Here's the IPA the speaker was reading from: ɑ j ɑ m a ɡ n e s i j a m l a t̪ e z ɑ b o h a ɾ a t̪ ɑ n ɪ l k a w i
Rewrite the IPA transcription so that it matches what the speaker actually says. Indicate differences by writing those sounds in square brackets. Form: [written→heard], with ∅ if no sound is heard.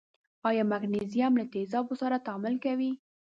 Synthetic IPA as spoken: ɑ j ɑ m a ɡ n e [s→z] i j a m l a t̪ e z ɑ b o [h→s] a ɾ a t̪ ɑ [n→m] ɪ l k a w i